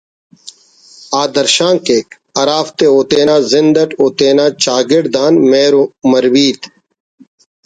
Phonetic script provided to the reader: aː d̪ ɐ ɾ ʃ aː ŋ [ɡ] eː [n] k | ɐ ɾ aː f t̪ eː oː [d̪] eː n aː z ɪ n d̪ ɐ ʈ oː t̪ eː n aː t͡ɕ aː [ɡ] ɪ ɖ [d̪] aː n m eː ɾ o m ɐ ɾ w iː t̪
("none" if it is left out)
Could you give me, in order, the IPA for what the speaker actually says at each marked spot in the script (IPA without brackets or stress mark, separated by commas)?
k, none, t̪, ɡ, d̪